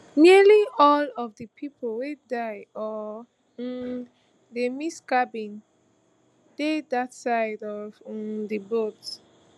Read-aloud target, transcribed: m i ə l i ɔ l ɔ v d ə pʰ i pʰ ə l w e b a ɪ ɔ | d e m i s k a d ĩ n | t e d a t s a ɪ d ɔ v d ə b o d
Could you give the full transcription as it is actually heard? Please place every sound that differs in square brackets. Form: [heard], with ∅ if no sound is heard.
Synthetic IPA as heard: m i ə l i ɔ l ɔ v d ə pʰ i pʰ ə l w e [d] a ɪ ɔ | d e m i s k a [b] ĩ n | [d] e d a t s a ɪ d ɔ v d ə b o [t]